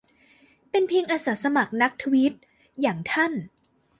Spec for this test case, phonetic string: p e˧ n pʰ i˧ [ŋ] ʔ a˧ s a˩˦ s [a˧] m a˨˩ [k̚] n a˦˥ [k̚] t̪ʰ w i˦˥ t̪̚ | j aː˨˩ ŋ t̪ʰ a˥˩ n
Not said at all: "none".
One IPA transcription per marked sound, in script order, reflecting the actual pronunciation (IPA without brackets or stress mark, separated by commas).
ŋ, a˧, k̚, k̚